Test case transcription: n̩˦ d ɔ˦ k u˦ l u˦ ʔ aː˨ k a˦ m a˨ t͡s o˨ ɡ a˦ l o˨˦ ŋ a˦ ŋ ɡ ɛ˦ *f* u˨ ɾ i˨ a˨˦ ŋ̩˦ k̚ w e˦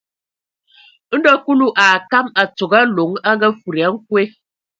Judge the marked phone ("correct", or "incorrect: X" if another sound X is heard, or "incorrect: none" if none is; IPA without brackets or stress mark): correct